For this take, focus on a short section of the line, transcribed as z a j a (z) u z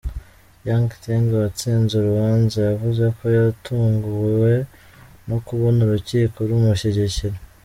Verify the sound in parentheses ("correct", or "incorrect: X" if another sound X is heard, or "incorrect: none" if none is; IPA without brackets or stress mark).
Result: incorrect: v